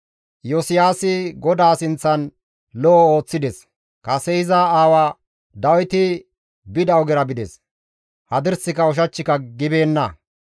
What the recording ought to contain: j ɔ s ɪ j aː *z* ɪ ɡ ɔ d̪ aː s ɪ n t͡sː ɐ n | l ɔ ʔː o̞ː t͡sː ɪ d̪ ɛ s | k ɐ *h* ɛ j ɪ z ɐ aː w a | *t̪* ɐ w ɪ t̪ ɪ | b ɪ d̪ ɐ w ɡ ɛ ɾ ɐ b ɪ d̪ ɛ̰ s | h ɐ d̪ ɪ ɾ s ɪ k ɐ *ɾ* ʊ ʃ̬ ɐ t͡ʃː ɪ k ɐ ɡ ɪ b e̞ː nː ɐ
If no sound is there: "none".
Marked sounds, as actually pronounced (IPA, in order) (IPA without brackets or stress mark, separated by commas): s, s, d̪, none